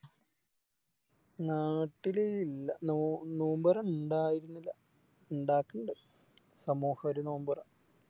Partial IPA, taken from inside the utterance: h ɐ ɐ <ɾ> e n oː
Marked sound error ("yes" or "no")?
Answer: no